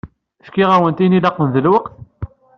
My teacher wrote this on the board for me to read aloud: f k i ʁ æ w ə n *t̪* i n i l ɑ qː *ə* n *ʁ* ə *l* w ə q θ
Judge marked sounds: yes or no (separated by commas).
yes, yes, no, yes